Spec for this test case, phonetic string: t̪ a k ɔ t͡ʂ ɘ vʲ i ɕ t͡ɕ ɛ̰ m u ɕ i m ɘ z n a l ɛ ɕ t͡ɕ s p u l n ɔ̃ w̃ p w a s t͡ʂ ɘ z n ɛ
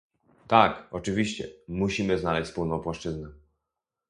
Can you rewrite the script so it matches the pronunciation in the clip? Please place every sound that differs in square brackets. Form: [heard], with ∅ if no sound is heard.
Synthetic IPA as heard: t̪ a k ɔ t͡ʂ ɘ vʲ i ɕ t͡ɕ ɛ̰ m u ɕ i m ɘ z n a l ɛ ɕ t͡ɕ s p u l n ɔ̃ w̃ p w a [ʂ] t͡ʂ ɘ z n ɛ